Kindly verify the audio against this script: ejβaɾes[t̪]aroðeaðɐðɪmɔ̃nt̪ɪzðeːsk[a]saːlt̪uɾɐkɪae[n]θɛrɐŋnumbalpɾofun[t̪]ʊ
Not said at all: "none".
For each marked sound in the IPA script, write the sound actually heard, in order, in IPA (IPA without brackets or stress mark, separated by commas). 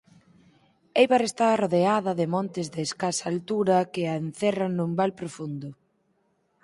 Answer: t̪, a, n, d̪